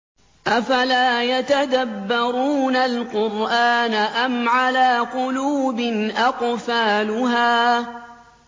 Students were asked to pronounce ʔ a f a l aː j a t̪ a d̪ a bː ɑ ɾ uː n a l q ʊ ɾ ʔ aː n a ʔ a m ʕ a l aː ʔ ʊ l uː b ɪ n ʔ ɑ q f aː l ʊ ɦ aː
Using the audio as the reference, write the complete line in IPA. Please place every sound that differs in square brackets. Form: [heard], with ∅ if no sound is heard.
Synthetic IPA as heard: ʔ a f a l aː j a t̪ a d̪ a bː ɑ ɾ uː n a l q ʊ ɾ ʔ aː n a ʔ a m ʕ a l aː [q] ʊ l uː b ɪ n ʔ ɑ q f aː l ʊ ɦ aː